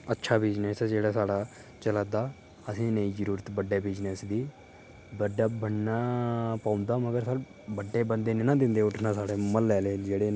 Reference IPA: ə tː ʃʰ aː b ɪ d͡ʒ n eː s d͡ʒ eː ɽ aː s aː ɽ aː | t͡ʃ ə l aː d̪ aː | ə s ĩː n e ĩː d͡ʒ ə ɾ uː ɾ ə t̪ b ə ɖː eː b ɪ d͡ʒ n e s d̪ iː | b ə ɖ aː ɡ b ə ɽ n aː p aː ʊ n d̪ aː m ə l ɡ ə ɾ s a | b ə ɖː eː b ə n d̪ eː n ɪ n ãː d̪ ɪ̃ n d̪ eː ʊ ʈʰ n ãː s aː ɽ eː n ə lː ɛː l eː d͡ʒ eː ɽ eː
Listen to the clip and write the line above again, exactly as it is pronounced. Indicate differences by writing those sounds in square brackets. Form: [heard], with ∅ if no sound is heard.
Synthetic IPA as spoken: ə tː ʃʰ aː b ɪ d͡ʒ n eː s d͡ʒ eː ɽ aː s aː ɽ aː | t͡ʃ ə l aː d̪ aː | ə s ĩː n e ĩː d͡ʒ ə ɾ uː ɾ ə t̪ b ə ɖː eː b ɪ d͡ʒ n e s d̪ iː | b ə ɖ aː [∅] b ə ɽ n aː p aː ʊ n d̪ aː m ə [∅] ɡ ə ɾ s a | b ə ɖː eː b ə n d̪ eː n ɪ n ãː d̪ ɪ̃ n d̪ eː ʊ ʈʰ n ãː s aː ɽ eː [m] ə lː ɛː l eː d͡ʒ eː ɽ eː